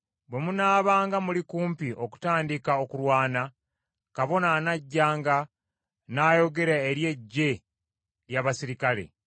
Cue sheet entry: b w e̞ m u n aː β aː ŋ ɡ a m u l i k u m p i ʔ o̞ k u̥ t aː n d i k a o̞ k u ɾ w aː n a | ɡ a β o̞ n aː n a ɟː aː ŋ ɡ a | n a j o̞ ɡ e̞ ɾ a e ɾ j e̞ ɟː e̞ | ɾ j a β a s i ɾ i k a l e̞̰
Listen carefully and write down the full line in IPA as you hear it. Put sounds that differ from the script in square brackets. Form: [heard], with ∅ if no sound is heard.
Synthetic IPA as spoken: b w e̞ m u n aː β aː ŋ ɡ a m u l i k [uː] m p i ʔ o̞ k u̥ t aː n d i k a o̞ k u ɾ w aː n a | [k] a β o̞ n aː n a ɟː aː ŋ ɡ a | n a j o̞ ɡ e̞ ɾ a e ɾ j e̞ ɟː e̞ | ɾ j a β a s i ɾ i k a l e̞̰